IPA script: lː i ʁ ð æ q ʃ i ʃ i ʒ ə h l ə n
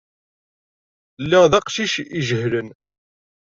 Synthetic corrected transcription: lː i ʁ ð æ q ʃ i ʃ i ʒ ə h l ə n